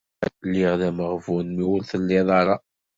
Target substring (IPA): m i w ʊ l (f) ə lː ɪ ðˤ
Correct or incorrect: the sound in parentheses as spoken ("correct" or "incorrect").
incorrect